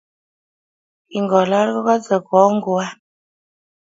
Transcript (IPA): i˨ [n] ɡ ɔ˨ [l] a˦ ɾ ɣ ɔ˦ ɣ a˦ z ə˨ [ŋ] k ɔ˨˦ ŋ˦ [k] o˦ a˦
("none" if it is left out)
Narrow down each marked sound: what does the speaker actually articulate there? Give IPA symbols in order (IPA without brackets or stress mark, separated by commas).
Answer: ŋ, l, none, ɡ